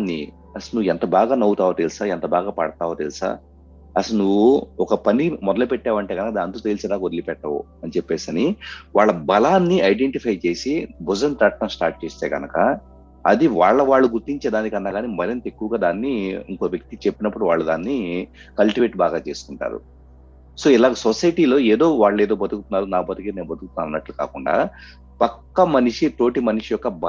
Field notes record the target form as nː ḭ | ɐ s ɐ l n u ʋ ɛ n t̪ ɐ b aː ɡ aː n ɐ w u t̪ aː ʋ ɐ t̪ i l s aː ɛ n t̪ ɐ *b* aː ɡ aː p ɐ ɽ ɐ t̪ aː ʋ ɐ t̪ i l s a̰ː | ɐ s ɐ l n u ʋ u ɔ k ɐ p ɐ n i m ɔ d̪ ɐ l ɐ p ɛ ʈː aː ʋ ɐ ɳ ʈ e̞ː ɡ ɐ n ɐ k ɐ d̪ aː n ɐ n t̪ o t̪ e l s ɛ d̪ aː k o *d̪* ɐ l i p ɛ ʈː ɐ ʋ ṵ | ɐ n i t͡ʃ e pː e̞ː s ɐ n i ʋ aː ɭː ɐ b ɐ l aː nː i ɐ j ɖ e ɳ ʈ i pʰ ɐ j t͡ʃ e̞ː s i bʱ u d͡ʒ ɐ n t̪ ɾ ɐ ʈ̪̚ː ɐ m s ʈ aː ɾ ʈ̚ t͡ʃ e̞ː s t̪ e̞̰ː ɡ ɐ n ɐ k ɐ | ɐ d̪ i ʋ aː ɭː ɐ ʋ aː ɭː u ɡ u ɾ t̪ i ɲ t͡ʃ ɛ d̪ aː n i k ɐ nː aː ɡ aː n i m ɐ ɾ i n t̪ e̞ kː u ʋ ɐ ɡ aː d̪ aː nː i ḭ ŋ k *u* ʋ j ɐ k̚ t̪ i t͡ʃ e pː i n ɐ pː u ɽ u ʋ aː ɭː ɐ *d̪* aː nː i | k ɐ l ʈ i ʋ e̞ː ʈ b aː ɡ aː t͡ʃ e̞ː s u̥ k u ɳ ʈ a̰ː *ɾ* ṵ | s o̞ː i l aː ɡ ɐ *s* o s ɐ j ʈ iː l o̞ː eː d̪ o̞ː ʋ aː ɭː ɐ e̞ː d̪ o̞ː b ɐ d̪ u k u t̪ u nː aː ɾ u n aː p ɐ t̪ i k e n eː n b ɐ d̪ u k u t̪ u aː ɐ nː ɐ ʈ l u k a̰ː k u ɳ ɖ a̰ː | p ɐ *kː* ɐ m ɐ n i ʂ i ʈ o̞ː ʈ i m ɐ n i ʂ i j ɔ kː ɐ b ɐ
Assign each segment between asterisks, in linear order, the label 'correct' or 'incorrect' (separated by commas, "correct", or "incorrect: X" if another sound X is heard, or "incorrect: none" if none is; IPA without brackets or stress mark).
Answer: correct, correct, incorrect: o, correct, correct, correct, correct